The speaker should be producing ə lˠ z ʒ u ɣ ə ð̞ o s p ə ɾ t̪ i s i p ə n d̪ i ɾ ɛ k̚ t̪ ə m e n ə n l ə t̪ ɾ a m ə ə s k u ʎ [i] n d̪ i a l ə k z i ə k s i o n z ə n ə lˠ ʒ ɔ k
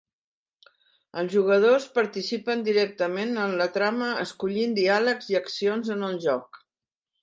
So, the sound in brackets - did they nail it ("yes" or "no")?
yes